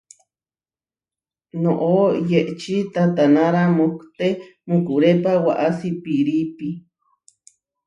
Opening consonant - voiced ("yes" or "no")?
yes